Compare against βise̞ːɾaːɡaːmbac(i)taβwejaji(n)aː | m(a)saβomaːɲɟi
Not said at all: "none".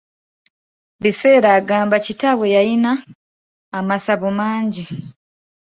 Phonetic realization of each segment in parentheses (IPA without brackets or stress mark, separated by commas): i, n, a